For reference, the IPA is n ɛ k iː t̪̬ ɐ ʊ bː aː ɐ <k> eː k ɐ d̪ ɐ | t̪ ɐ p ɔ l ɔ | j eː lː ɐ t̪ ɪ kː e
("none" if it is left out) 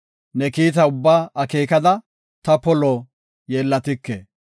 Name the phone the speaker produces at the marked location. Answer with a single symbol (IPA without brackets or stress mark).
k